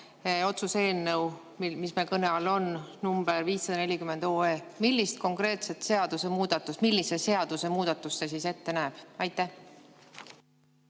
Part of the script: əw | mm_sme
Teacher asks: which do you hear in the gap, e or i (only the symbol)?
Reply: i